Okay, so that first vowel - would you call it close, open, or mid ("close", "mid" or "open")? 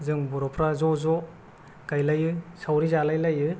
close